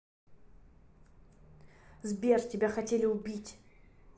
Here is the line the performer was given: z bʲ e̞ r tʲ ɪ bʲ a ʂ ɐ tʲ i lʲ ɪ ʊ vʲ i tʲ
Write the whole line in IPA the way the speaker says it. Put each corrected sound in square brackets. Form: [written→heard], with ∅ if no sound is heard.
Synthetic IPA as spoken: z bʲ e̞ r tʲ ɪ bʲ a [ʂ→x] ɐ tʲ [i→e] lʲ ɪ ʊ [vʲ→bʲ] i tʲ